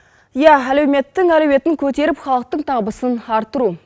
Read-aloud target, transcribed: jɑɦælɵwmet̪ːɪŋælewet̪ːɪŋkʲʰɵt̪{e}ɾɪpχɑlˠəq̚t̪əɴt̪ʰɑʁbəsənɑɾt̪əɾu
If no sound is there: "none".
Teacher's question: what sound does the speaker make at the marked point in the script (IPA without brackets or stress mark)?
e